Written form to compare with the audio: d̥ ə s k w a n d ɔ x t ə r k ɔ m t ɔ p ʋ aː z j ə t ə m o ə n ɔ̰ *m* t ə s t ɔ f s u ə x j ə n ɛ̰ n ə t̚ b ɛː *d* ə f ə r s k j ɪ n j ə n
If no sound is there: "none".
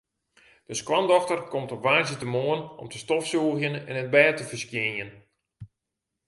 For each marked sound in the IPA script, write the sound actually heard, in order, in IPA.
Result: m, t

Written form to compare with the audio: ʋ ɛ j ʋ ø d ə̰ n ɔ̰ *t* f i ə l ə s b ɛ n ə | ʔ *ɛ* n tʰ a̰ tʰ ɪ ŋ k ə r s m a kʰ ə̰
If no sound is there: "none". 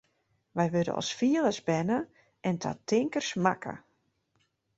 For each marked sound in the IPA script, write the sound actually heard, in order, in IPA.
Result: s, ɛ

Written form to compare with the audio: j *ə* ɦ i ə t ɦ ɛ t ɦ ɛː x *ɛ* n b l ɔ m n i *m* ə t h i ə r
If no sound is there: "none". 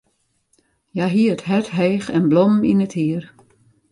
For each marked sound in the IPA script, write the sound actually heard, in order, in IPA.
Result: a, ɛ, n

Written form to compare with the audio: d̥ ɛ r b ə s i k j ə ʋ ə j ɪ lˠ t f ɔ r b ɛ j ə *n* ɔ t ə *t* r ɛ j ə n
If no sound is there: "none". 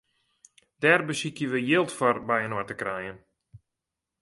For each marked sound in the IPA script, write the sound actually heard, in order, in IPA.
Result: n, k

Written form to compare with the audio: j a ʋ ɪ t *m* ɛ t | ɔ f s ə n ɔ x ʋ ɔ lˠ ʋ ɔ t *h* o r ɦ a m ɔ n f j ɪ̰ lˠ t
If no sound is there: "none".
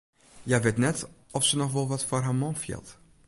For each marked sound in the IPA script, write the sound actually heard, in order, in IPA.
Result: n, f

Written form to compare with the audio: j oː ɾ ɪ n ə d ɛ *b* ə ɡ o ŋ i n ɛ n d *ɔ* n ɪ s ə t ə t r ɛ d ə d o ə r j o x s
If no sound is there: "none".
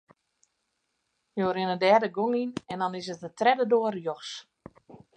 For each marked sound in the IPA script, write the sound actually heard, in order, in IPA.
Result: d, ɔ

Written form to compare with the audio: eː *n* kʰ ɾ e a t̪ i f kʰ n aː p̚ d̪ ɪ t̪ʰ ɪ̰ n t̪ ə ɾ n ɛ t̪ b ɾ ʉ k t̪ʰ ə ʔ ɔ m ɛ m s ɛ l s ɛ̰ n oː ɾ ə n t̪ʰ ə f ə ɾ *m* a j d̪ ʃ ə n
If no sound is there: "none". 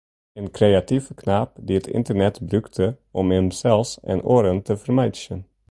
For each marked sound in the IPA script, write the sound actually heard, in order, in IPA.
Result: n, m

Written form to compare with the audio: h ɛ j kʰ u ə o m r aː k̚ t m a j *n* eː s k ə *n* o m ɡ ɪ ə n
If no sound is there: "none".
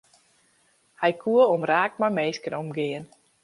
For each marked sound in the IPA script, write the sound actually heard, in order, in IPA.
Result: m, n

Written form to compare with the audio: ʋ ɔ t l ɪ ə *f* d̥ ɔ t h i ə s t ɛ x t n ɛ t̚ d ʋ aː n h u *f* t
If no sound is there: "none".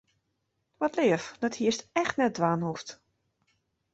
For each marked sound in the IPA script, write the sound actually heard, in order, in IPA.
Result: f, f

